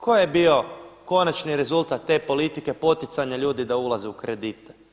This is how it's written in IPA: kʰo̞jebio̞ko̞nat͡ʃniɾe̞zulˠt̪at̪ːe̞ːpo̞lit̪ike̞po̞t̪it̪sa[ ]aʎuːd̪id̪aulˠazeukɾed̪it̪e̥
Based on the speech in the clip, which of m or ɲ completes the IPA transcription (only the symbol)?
ɲ